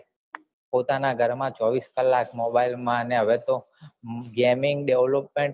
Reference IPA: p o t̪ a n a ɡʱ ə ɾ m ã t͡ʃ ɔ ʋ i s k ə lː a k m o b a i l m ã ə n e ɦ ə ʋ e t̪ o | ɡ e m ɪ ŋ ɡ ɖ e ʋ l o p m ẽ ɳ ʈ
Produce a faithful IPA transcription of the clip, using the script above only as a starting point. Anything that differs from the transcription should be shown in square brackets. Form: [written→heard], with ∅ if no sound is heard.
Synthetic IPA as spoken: p o t̪ a n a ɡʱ ə ɾ m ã t͡ʃ ɔ ʋ i s k ə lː a k m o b a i l m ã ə n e ɦ ə ʋ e t̪ o | ɡ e m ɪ ŋ ɡ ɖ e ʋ l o p m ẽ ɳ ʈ